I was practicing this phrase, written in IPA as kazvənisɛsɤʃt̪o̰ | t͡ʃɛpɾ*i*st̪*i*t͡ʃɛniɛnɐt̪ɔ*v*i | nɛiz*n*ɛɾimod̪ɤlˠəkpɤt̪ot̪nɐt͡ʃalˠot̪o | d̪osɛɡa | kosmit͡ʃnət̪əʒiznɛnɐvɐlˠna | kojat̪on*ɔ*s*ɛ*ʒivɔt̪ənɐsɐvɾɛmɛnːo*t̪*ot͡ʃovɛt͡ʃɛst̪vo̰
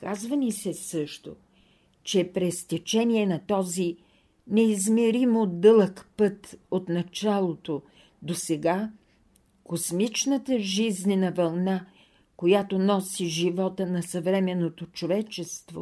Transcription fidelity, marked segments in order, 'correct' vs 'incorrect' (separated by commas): incorrect, incorrect, incorrect, incorrect, correct, incorrect, correct